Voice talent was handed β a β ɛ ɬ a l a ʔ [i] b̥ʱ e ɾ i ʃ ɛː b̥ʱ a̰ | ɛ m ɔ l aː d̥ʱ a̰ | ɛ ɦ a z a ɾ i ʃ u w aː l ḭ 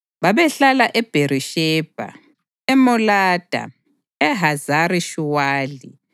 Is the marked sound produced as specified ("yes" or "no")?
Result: no